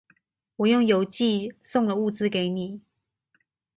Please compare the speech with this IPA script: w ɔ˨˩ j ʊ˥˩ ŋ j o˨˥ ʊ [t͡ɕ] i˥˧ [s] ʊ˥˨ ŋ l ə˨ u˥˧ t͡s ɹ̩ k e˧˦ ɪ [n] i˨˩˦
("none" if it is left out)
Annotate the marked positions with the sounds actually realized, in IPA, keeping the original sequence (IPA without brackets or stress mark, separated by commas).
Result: t͡ɕ, s, n